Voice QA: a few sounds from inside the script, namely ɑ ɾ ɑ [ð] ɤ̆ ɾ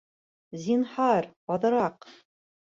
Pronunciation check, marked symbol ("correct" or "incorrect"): correct